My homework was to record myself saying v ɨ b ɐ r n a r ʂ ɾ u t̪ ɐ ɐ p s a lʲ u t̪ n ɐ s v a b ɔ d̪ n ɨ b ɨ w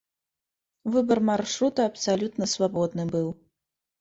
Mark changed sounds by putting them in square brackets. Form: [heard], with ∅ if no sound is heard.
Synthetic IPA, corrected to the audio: v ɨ b ɐ r [m] a r ʂ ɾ u t̪ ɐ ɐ p s a lʲ u t̪ n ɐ s v a b ɔ d̪ n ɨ b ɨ w